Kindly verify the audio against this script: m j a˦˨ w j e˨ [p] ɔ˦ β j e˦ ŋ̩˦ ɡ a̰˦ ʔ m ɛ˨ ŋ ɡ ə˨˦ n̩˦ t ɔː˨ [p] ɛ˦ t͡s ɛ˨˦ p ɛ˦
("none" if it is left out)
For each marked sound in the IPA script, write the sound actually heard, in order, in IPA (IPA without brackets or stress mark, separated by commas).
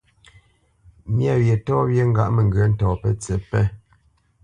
t, p